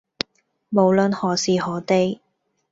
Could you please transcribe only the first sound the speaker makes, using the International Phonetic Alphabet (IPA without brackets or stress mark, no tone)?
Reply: m